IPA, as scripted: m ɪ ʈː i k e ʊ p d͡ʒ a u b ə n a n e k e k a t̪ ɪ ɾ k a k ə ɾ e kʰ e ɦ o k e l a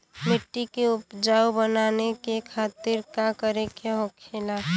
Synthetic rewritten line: m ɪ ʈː i k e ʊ p d͡ʒ a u b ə n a n e k e kʰ a t̪ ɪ ɾ k a k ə ɾ e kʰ e ɦ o kʰ e l a